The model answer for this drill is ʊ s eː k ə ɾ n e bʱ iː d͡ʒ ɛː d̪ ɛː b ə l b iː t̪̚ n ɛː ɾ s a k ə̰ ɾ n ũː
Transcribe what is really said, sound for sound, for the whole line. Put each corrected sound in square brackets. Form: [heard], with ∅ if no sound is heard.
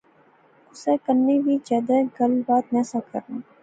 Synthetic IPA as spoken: ʊ s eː k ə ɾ n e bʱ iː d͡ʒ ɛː d̪ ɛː [ɡ] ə l b [aː] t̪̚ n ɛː [∅] s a k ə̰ ɾ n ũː